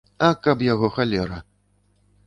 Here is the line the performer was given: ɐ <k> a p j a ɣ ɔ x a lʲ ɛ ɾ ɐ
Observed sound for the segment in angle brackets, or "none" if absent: k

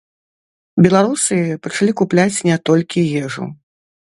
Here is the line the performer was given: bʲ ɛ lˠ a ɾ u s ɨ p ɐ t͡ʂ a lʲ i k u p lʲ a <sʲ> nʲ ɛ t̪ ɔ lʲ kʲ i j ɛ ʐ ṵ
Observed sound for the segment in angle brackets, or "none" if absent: t͡sʲ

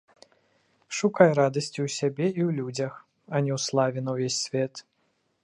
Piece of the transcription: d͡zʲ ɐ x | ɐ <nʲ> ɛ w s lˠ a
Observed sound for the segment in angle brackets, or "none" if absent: nʲ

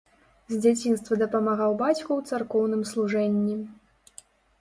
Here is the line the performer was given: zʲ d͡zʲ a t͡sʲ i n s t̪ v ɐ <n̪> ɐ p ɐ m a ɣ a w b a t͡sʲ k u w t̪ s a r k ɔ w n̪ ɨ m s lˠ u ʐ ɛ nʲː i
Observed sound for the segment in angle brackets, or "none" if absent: d̪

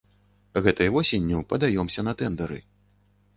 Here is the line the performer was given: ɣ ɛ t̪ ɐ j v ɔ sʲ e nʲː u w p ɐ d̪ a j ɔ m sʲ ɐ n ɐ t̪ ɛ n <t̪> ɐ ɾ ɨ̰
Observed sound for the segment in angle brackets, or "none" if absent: d̪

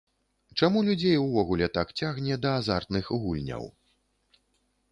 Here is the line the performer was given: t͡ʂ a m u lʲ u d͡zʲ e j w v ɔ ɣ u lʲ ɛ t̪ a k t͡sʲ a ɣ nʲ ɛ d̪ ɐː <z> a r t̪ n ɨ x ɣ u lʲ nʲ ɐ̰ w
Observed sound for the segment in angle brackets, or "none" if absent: z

